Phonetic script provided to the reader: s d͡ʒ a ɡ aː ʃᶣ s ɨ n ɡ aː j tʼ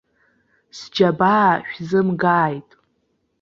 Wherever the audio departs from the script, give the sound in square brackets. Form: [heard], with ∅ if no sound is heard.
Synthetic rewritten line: s d͡ʒ a [b] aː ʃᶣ [z] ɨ [m] ɡ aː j tʼ

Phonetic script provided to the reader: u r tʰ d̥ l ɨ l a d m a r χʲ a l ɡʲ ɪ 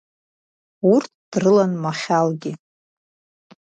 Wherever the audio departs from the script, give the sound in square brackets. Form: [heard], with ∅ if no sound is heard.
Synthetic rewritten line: u r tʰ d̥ [r] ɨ l a [n] m a [∅] χʲ a l ɡʲ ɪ

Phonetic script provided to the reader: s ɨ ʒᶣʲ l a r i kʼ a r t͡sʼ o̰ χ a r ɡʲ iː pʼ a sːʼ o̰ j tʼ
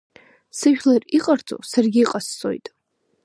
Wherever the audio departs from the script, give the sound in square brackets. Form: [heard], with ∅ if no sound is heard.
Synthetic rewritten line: s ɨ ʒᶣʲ l a r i [qʼ] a r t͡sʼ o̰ [s] a r ɡʲ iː [qʼ] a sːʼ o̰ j tʼ

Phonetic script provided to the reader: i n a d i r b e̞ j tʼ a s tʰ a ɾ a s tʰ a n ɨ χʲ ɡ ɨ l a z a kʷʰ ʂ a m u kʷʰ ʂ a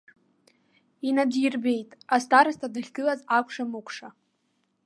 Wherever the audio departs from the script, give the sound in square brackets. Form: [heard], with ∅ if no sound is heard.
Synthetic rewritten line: i n a d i r b e̞ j tʼ a s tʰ a ɾ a s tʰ a [d] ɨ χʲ ɡ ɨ l a z a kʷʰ ʂ a m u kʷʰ ʂ a

